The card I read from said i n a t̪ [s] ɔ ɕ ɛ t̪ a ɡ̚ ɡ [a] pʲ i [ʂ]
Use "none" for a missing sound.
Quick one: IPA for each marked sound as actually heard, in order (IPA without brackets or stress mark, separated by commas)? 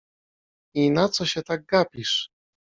s, a, ʂ